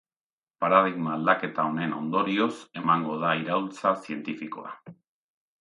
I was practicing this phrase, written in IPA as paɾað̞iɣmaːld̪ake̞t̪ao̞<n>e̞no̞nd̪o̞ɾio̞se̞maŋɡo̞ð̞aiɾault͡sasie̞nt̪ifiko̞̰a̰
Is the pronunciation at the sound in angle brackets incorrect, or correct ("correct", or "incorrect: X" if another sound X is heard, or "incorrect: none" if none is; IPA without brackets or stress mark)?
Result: correct